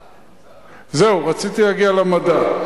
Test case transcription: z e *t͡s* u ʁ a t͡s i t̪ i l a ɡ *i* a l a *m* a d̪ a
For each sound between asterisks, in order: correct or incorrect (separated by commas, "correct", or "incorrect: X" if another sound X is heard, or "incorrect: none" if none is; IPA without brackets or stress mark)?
incorrect: none, correct, correct